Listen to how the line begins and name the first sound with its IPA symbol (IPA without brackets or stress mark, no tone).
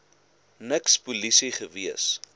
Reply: n